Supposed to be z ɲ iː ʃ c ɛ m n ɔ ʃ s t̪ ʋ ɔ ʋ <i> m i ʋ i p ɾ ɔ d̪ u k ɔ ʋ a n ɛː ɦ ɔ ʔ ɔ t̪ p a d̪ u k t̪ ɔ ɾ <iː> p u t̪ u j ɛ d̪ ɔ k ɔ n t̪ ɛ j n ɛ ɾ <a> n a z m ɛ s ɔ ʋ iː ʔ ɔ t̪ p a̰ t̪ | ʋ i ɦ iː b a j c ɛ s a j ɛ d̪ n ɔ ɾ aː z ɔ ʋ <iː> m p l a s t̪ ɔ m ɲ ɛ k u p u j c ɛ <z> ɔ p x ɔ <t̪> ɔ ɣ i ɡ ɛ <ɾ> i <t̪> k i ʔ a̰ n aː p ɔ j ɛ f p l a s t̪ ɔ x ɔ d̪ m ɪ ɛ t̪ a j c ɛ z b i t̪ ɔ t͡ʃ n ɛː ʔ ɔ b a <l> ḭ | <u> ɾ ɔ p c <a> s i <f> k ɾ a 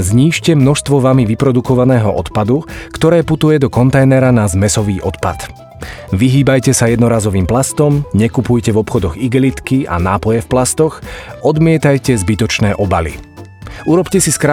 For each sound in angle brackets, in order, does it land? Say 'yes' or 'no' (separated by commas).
no, no, yes, yes, no, no, no, yes, yes, yes, no, no